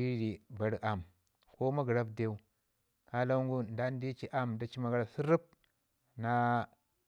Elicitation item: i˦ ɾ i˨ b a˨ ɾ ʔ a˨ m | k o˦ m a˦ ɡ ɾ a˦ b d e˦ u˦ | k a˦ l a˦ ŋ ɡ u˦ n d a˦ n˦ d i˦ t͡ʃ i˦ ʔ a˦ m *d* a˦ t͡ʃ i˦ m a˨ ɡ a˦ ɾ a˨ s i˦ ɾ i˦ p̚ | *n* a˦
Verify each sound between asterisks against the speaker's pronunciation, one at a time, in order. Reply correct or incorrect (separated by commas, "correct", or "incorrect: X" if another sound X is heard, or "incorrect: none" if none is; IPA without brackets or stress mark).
correct, correct